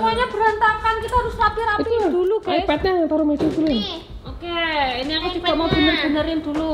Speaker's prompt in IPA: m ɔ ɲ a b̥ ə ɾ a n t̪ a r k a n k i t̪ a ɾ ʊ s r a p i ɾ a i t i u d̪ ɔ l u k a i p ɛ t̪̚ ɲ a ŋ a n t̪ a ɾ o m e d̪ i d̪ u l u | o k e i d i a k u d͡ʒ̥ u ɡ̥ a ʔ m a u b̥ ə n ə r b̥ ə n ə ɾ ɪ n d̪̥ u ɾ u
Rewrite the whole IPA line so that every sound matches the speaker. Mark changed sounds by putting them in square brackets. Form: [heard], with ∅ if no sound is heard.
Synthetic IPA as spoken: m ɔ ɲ a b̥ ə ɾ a n t̪ a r k a n k i t̪ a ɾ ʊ s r a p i ɾ a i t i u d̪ [u] l u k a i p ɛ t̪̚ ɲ a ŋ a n t̪ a ɾ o m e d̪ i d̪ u l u | o k e i [n] i a k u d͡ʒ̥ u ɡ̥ a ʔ m a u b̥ ə n ə r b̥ ə n ə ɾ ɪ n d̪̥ u [l] u

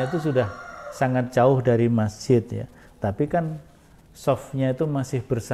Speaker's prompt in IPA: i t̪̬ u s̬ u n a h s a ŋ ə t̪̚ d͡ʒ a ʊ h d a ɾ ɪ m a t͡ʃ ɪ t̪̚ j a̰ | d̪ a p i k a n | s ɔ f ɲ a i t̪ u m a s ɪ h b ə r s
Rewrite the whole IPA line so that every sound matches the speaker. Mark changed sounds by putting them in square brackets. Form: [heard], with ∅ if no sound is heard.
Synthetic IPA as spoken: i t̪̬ u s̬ u [d] a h s a ŋ [a] t̪̚ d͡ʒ a ʊ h d a ɾ [i] m a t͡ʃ ɪ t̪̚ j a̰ | [t̪] a p i k a n | s ɔ f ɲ a i t̪ u m a s ɪ h b ə r s

